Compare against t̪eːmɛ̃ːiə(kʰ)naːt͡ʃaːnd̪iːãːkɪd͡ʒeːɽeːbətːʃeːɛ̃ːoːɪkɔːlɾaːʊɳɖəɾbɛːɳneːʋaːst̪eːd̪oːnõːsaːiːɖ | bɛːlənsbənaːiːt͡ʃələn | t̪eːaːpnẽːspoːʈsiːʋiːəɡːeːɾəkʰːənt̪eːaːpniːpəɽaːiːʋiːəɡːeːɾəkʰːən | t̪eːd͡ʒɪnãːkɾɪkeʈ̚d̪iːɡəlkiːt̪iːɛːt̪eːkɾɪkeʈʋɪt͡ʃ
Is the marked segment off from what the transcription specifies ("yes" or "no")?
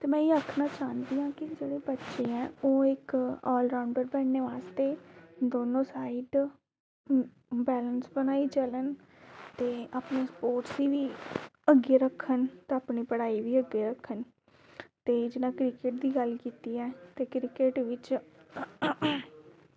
no